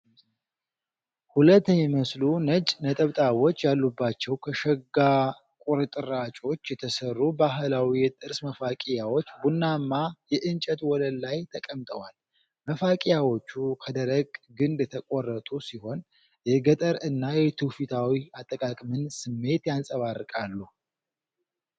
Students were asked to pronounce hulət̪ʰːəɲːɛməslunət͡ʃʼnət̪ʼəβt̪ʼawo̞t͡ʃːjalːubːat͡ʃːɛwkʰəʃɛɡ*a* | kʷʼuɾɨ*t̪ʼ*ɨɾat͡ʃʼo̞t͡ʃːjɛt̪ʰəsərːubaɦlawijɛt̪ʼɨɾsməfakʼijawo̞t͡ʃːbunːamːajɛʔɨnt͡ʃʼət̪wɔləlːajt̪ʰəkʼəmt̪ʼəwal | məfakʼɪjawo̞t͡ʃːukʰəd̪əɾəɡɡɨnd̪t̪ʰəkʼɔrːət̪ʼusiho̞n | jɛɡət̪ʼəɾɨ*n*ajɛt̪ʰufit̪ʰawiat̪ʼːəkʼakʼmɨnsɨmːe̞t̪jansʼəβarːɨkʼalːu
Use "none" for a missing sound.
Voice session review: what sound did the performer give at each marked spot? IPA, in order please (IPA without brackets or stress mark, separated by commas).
a, t̪ʼ, nː